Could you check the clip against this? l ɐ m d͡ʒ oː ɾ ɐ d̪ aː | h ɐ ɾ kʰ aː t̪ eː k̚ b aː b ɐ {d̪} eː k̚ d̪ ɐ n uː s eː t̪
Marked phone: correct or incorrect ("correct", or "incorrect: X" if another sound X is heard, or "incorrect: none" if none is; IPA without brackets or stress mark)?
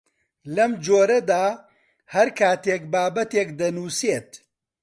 incorrect: t̪